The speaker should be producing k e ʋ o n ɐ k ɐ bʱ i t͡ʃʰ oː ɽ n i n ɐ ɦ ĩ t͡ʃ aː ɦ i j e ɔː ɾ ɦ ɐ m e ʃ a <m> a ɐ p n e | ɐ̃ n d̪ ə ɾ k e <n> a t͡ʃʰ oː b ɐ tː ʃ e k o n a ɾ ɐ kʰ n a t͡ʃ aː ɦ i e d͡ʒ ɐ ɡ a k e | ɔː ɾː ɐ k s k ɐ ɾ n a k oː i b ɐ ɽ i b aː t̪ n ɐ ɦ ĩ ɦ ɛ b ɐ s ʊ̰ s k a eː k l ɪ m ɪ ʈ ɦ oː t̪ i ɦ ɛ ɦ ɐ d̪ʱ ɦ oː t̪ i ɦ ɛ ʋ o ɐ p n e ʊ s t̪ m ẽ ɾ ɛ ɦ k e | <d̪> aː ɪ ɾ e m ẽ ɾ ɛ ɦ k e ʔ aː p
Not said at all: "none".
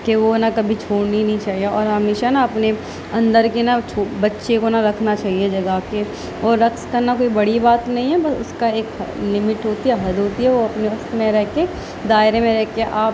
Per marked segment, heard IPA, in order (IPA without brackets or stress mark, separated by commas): n, n, d̪